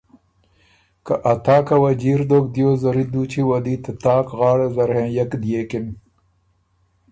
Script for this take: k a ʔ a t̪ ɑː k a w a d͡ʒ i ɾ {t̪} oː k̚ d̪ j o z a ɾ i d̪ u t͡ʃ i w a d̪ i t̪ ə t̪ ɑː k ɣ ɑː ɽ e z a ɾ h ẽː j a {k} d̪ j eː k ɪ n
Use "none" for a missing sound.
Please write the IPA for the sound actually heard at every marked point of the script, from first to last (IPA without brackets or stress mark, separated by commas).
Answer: d̪, k